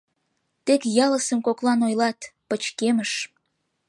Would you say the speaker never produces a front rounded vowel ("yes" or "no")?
yes